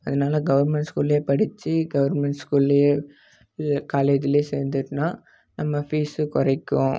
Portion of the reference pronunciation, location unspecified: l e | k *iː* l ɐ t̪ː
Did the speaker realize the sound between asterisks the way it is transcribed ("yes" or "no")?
no